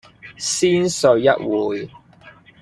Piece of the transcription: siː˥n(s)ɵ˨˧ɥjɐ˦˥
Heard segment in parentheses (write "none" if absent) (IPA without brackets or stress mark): s